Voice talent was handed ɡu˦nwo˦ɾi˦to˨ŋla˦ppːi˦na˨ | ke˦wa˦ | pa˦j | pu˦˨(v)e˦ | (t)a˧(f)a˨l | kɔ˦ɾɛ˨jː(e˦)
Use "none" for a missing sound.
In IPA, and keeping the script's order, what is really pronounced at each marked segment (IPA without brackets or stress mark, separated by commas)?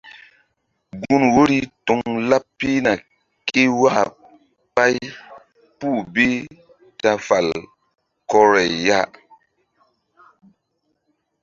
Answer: b, t, f, a˦